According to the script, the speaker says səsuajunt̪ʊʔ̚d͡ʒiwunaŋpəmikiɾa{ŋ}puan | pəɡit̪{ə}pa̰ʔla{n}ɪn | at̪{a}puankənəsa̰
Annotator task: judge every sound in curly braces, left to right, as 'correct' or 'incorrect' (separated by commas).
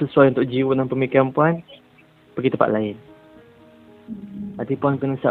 incorrect, correct, incorrect, incorrect